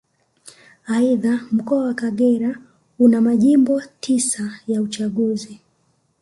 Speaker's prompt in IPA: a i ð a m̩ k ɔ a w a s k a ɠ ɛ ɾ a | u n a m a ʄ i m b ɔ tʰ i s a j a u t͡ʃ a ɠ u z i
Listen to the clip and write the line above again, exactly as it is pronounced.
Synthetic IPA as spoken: a i ð a m̩ k ɔ a w a k a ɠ ɛ ɾ a | u n a m a ʄ i m b ɔ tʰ i s a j a u t͡ʃ a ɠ u z i